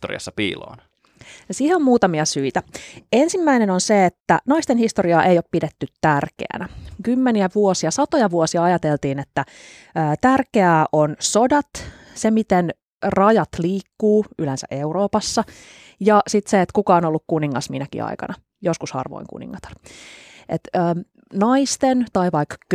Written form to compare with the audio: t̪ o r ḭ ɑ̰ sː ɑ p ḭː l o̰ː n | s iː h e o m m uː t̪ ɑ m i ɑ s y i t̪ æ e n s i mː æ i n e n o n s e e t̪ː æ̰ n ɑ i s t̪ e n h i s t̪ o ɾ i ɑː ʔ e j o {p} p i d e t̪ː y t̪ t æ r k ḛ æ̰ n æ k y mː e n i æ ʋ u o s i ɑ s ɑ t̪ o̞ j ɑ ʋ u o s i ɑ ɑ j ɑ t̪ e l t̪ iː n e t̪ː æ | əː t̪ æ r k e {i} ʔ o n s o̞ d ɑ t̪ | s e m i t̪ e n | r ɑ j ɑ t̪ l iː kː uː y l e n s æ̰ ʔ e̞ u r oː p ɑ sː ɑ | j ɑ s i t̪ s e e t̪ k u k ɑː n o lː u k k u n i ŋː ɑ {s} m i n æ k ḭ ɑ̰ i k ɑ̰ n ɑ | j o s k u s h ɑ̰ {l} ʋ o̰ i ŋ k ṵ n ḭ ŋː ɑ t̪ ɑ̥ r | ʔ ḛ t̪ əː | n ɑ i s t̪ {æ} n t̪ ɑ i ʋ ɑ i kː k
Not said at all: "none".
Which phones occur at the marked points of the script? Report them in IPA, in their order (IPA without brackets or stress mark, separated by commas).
p, æ, s, r, e